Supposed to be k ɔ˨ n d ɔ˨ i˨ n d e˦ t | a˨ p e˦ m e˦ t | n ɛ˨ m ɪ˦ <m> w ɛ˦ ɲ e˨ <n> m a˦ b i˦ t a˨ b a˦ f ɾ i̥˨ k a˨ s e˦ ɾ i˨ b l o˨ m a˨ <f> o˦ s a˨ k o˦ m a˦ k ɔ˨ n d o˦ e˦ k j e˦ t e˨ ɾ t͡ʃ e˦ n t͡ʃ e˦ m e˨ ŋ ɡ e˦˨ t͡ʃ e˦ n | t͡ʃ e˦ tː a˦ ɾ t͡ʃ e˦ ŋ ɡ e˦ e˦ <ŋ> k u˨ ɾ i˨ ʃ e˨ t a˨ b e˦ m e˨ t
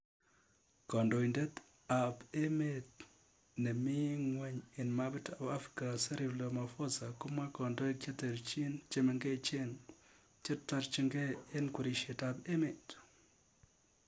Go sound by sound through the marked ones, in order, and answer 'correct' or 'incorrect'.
incorrect: ŋ, correct, correct, incorrect: n

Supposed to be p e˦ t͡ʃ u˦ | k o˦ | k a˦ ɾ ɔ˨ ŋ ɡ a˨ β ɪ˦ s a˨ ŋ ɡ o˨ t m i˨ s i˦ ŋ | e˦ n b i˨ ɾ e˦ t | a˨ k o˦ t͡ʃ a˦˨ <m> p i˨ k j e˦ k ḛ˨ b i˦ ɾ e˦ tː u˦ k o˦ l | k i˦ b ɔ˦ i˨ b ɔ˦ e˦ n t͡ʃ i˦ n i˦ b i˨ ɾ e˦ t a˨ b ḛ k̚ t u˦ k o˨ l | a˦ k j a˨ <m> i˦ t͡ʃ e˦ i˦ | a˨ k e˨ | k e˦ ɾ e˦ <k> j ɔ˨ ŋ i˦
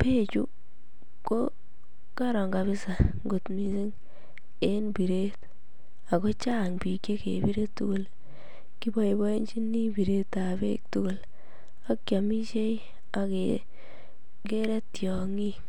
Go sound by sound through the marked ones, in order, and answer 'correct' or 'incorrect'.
incorrect: ŋ, correct, incorrect: t

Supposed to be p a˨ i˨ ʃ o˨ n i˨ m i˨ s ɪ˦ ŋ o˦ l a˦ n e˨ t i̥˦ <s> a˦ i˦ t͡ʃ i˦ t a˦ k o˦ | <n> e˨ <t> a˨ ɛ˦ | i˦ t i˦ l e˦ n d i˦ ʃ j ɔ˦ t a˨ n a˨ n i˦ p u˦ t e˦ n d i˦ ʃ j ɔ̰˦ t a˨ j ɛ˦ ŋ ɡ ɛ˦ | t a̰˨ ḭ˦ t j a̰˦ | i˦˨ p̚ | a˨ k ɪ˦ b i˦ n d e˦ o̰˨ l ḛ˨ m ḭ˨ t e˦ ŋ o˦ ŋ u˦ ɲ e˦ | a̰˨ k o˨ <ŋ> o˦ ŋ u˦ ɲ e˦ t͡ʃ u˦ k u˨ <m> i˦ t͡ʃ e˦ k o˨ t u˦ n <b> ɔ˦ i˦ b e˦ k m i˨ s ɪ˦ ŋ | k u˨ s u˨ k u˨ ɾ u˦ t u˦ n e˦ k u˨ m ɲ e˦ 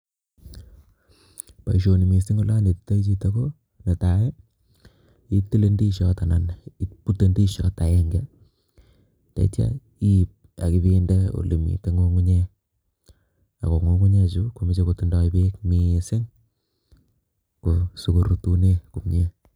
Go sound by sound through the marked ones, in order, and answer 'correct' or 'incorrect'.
incorrect: t, correct, correct, correct, correct, incorrect: d

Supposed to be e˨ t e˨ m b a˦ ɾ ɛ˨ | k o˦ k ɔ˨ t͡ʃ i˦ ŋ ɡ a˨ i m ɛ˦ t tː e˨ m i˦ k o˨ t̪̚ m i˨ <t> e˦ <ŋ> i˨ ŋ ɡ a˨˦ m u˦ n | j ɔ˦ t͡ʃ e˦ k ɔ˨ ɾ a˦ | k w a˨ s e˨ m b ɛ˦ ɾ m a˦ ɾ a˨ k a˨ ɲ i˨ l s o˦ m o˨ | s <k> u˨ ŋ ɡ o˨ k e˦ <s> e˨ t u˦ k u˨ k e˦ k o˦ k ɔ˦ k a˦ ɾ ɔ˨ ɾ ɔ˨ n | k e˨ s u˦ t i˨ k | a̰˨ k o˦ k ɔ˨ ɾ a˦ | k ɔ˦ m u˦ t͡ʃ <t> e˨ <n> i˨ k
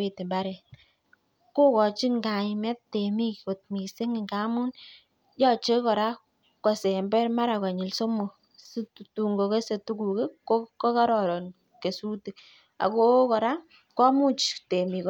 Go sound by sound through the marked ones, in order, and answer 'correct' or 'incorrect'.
incorrect: s, correct, incorrect: t, correct, correct, incorrect: m

